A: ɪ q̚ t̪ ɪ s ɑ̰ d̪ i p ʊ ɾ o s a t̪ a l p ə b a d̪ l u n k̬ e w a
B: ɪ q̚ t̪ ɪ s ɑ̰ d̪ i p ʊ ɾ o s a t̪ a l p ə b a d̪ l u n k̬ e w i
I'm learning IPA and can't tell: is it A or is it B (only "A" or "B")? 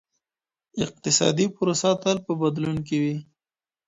B